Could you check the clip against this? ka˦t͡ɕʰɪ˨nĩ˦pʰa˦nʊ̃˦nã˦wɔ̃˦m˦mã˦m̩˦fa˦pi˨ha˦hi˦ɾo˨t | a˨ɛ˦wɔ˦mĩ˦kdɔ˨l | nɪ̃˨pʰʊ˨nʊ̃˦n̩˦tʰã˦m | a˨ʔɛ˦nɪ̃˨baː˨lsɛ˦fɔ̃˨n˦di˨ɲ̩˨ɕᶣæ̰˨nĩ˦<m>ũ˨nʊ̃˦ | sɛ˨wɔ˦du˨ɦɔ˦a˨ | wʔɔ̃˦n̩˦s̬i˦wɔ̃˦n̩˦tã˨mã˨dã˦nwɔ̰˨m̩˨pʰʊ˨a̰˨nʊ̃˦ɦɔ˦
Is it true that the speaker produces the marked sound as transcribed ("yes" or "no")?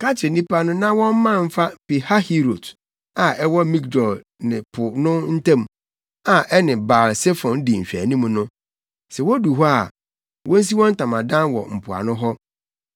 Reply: yes